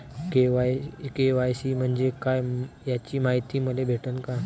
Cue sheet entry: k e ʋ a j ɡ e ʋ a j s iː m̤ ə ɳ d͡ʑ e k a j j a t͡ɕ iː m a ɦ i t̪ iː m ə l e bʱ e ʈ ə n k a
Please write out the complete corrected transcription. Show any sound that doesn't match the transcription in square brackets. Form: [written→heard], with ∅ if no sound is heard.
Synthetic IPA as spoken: k e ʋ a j [ɡ→k] e ʋ a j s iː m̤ ə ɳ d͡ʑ e k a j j a t͡ɕ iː m a ɦ i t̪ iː m ə l e bʱ e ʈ ə n k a